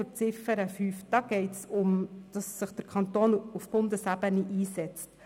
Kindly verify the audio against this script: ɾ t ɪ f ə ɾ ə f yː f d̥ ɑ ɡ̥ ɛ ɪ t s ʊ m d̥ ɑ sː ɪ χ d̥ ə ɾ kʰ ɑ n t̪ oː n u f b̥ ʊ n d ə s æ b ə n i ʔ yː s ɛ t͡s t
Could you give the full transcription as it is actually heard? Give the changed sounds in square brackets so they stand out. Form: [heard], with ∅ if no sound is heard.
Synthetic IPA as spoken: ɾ [t͡s] ɪ f ə ɾ ə f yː f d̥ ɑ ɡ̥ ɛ ɪ t s ʊ m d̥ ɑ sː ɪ χ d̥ ə ɾ kʰ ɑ n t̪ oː n u f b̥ ʊ n d ə s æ b ə n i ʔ [iː] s ɛ t͡s t